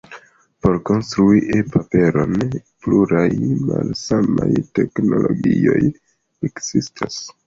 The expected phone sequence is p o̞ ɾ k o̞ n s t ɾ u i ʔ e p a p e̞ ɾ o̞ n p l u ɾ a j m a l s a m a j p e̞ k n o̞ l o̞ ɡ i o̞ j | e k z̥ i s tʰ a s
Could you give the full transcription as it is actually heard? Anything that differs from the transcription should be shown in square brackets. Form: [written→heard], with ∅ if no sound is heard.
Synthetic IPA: p o̞ ɾ k o̞ n s t ɾ u i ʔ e p a p e̞ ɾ o̞ n p l u ɾ a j m a l s a m a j [p→t] e̞ k n o̞ l o̞ ɡ i o̞ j | e k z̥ i s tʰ a s